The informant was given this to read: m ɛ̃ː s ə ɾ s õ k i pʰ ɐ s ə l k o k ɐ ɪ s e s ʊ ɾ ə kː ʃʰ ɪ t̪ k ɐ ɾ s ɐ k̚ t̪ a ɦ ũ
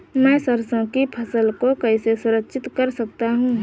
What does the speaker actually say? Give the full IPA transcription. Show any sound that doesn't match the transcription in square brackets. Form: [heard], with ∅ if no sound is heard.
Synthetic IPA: m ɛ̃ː s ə ɾ s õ k i pʰ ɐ s ə l k o k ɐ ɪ s e s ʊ ɾ ə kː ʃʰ ɪ t̪ k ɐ ɾ s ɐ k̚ t̪ a ɦ ũ